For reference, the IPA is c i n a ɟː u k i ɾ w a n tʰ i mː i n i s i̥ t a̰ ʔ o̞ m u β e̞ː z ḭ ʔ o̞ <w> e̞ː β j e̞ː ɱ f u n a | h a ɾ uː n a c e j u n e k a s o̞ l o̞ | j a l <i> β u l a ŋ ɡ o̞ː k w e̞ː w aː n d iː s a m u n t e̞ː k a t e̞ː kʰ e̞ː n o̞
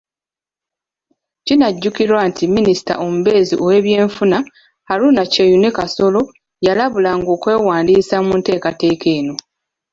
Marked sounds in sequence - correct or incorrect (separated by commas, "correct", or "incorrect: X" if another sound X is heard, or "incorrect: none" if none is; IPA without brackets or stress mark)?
correct, incorrect: a